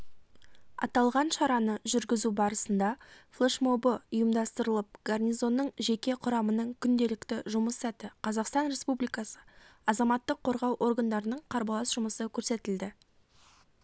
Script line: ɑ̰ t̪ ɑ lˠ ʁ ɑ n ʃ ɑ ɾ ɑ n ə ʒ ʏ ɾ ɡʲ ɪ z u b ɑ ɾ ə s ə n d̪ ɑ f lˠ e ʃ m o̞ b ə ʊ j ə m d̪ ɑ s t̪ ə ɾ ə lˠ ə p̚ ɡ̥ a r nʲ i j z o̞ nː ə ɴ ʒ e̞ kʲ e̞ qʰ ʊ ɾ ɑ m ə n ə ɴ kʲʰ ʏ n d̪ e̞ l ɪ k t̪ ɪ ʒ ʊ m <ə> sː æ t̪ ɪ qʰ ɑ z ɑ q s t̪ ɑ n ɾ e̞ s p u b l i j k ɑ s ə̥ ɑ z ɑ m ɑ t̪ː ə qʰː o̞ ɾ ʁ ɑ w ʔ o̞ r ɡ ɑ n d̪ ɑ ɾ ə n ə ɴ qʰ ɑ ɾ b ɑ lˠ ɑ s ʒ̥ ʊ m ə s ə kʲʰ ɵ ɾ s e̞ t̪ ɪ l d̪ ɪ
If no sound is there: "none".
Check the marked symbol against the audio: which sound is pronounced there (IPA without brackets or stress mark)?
ə